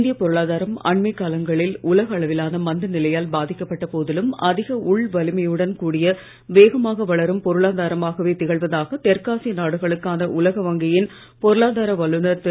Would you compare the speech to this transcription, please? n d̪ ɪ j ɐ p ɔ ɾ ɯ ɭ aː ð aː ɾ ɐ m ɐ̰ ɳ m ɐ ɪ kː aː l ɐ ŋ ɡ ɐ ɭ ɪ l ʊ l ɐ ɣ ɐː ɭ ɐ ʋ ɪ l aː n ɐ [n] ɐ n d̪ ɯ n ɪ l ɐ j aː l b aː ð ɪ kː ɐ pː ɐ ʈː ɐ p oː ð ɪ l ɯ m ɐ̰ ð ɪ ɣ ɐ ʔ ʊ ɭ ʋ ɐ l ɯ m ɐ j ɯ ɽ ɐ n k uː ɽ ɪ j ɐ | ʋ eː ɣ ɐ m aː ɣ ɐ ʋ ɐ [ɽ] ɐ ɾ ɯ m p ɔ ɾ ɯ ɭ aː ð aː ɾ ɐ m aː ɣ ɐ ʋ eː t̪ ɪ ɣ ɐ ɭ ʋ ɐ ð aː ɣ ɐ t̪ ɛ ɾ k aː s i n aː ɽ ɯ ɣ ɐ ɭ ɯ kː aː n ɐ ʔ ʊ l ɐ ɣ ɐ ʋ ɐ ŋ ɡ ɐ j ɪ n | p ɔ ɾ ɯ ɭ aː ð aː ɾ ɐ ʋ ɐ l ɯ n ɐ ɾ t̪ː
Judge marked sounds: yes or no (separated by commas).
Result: no, no